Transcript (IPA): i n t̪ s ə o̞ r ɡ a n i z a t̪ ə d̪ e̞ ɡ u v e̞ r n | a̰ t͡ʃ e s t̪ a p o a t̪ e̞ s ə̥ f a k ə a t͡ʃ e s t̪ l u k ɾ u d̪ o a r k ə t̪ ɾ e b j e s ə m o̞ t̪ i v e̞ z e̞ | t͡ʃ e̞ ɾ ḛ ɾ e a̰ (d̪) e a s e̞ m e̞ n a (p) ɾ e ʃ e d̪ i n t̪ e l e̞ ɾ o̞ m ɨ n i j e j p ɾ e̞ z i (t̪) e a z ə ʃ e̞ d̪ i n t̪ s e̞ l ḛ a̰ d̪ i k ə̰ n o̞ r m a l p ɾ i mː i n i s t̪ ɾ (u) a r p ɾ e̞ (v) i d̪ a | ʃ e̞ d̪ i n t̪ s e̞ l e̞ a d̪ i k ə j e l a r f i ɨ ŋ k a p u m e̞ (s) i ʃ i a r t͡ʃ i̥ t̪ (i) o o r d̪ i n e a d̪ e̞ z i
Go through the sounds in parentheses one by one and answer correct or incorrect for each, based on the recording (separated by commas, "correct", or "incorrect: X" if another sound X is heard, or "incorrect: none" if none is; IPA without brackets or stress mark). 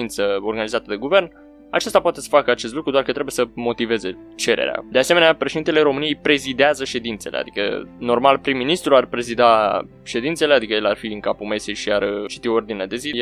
correct, correct, incorrect: d̪, correct, incorrect: z, correct, correct